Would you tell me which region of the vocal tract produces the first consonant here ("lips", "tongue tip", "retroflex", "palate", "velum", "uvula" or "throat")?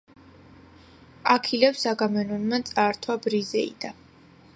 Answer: velum